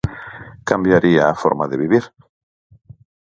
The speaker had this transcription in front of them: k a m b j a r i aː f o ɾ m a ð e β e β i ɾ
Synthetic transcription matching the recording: k a m b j a ɾ i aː f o ɾ m a ð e β i β i ɾ